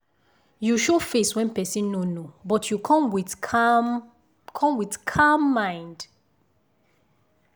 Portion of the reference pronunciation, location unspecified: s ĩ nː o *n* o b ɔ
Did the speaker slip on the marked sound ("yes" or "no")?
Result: no